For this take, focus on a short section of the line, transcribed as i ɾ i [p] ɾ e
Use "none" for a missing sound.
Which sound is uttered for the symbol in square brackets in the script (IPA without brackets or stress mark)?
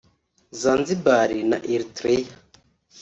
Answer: t